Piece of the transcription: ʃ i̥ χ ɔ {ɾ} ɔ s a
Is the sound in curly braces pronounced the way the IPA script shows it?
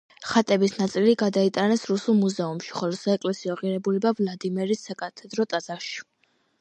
no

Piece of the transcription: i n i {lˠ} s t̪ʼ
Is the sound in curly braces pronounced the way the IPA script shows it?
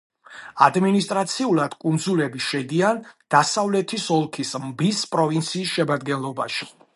no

